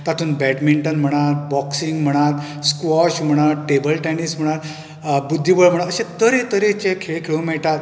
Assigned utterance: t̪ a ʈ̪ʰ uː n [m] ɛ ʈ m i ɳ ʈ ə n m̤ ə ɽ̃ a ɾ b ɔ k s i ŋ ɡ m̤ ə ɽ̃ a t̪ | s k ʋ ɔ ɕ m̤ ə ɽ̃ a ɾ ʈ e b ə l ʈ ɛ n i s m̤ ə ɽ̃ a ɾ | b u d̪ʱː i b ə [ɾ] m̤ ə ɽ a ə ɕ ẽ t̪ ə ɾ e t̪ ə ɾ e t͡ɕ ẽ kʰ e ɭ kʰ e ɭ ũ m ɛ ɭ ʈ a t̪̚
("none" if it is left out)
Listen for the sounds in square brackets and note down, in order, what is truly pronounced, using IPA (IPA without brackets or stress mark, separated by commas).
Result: b, ɭ